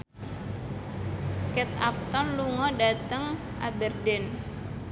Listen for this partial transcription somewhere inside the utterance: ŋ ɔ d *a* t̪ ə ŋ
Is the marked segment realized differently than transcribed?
no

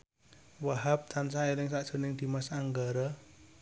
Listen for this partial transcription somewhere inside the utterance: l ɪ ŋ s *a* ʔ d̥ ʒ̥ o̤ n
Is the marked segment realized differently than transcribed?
no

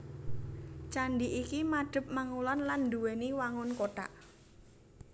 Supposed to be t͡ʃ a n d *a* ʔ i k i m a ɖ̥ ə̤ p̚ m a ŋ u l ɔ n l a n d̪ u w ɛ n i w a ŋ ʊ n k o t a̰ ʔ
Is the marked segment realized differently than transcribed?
yes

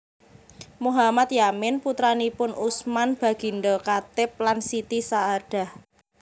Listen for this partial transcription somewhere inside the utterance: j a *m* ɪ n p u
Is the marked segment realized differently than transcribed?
no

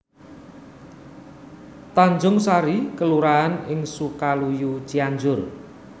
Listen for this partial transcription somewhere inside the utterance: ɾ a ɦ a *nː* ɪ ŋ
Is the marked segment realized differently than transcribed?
yes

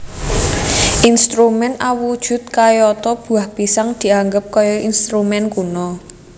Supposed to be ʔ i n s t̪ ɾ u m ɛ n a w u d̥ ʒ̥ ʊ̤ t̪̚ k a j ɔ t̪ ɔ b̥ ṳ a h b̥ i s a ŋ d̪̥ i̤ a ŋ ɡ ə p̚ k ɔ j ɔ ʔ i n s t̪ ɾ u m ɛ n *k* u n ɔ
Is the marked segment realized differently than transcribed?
no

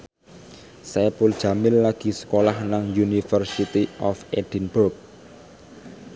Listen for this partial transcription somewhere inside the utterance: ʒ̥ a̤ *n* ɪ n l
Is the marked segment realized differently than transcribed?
yes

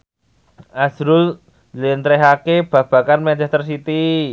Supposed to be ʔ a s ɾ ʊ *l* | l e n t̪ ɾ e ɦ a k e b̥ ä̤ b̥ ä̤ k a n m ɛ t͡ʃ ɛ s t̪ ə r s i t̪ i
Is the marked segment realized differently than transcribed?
no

